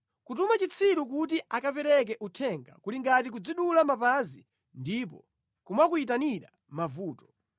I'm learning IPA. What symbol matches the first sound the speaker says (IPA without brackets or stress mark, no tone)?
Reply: k